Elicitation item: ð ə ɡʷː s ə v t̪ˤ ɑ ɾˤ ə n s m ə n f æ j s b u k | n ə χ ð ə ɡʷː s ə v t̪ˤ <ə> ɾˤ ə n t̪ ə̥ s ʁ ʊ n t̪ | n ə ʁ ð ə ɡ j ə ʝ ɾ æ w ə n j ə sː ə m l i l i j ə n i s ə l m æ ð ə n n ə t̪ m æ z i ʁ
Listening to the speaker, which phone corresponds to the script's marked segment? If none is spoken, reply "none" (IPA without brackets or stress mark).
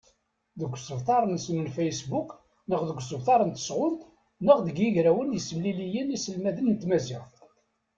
ɑ